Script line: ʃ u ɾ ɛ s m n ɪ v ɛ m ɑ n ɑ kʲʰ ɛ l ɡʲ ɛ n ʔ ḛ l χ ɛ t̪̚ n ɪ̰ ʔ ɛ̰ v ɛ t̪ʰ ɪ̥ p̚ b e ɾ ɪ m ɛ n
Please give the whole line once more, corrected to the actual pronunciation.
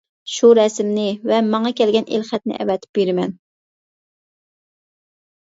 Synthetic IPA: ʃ u ɾ ɛ s m n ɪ v ɛ m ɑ ŋ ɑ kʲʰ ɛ l ɡʲ ɛ n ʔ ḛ l χ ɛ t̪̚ n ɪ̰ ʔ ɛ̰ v ɛ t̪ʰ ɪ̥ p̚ b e ɾ ɪ m ɛ n

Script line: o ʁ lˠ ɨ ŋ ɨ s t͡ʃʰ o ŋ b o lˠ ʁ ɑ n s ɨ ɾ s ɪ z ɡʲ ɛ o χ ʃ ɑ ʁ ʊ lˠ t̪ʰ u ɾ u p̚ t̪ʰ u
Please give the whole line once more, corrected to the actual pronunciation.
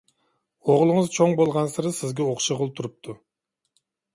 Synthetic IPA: o ʁ lˠ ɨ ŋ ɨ z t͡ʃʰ o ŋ b o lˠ ʁ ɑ n s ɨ ɾ s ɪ z ɡʲ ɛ o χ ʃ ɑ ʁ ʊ lˠ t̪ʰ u ɾ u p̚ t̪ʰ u

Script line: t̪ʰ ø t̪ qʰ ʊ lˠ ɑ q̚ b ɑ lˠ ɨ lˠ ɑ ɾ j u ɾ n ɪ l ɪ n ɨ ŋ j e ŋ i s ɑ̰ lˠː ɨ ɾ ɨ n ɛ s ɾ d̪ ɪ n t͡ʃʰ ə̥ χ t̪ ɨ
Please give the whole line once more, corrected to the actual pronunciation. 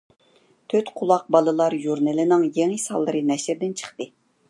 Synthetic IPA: t̪ʰ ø t̪ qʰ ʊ lˠ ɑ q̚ b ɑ lˠ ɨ lˠ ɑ ɾ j u ɾ n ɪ l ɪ n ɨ ŋ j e ŋ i s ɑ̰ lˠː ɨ ɾ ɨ n ɛ ʃ ɾ d̪ ɪ n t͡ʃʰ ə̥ χ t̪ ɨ

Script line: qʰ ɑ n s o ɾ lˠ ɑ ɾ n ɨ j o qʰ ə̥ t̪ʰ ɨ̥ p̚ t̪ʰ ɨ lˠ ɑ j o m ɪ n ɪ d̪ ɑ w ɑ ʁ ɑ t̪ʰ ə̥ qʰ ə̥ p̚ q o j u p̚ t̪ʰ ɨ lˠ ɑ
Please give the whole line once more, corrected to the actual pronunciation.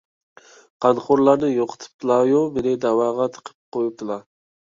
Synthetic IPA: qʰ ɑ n χ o ɾ lˠ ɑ ɾ n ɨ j o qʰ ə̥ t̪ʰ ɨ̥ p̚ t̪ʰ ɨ lˠ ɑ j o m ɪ n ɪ d̪ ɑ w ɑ ʁ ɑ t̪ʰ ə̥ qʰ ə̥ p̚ q o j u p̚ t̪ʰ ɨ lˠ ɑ

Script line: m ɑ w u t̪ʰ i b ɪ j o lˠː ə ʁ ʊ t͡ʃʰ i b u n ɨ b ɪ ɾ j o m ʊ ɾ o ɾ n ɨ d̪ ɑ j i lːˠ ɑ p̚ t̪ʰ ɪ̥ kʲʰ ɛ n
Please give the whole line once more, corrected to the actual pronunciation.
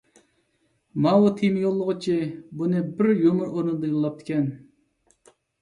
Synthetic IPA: m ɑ w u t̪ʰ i m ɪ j o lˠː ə ʁ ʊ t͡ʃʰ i b u n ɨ b ɪ ɾ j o m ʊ ɾ o ɾ n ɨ d̪ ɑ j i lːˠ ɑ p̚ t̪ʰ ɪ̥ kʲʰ ɛ n

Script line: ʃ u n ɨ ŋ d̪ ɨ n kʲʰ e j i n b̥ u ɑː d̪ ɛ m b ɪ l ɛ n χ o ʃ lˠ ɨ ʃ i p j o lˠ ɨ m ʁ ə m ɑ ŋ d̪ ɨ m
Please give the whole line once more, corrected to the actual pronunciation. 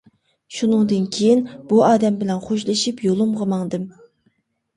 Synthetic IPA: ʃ u n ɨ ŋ d̪ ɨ n kʲʰ e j i n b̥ u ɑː d̪ ɛ m b ɪ l ɛ n χ o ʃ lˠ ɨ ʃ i p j o lˠ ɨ m ʁ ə m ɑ ŋ d̪ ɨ m

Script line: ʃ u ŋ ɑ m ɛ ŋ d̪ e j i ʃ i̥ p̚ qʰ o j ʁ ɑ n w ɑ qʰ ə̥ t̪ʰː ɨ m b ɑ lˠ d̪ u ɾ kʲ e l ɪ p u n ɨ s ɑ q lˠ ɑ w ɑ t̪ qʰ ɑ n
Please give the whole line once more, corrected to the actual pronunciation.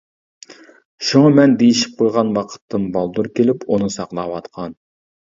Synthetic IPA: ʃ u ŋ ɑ m ɛ n d̪ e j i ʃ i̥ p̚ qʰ o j ʁ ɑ n w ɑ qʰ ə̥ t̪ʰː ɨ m b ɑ lˠ d̪ u ɾ kʲ e l ɪ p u n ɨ s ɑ q lˠ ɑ w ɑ t̪ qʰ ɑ n

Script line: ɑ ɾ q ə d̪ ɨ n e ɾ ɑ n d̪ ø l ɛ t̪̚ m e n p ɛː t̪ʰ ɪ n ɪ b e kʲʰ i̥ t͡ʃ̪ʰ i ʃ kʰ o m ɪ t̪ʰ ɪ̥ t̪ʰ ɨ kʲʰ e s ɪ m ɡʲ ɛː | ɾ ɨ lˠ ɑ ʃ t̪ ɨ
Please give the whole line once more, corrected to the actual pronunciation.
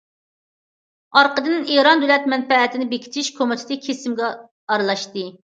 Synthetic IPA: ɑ ɾ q ə d̪ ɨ n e ɾ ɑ n d̪ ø l ɛ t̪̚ m ɛ n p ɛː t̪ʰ ɪ n ɪ b e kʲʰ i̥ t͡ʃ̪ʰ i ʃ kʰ o m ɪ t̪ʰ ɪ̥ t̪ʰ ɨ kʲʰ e s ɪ m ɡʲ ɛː | ɾ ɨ lˠ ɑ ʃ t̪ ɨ

